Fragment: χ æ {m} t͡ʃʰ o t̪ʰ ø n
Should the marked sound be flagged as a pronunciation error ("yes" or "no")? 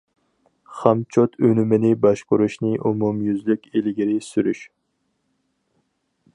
no